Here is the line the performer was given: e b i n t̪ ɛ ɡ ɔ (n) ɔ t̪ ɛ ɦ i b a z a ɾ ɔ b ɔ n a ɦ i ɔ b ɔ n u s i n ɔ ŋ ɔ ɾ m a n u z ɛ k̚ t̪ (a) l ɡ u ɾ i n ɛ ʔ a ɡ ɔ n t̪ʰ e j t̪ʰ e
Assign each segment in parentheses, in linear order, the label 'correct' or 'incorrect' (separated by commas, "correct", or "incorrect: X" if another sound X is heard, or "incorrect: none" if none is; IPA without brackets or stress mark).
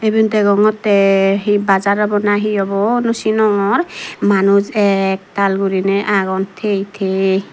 incorrect: ŋ, correct